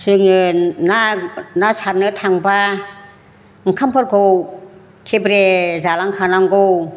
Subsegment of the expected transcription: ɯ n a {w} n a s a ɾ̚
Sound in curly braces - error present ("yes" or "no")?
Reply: yes